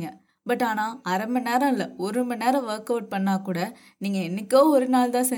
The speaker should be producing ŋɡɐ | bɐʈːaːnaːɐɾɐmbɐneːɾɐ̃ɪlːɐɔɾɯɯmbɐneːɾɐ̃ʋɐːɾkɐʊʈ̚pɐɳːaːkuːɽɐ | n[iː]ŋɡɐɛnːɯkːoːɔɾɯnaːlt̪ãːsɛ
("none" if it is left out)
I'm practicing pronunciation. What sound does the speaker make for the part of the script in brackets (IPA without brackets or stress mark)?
iː